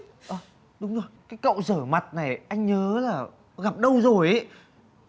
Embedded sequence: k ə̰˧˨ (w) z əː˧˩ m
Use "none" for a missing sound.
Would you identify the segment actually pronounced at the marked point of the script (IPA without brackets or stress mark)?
w